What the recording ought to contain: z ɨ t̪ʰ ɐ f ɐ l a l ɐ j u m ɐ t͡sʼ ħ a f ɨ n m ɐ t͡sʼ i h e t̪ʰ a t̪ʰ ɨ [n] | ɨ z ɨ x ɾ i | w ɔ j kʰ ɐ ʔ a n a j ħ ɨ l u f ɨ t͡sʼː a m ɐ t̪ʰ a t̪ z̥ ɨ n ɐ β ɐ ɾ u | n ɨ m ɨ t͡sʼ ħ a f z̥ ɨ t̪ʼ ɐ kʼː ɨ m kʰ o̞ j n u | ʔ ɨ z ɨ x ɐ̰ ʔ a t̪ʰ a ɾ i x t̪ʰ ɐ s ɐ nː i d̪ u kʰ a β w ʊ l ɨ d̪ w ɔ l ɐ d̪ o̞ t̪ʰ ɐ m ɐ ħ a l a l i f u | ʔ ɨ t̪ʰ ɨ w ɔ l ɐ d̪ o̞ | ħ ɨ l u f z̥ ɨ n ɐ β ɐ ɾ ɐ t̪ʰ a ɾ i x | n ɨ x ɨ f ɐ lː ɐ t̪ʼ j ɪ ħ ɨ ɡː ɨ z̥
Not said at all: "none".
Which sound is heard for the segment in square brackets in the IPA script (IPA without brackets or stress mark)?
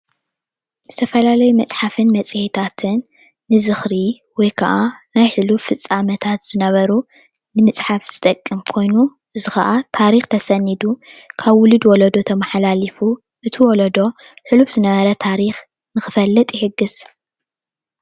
nː